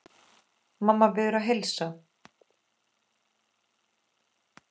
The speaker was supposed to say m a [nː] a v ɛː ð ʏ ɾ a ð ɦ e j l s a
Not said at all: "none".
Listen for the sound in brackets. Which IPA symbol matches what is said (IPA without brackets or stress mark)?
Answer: mː